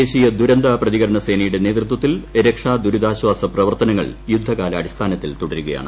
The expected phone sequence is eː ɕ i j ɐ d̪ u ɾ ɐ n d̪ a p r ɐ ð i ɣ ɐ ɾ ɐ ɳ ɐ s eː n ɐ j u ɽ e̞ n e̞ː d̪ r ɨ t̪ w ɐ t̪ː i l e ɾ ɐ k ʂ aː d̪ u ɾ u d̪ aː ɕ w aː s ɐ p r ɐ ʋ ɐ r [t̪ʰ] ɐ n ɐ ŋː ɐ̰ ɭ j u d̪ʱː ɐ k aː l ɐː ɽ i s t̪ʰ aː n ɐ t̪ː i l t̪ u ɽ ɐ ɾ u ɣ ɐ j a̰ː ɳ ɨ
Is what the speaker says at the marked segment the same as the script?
no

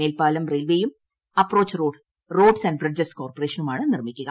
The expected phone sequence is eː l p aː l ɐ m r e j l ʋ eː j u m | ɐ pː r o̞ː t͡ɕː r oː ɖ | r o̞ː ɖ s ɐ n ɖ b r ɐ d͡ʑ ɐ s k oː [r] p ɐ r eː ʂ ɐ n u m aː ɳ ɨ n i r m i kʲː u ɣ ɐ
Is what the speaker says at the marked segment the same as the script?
yes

